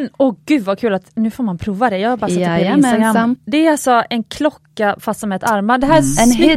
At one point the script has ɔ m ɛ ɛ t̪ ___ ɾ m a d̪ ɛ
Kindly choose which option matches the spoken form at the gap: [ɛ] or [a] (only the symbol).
a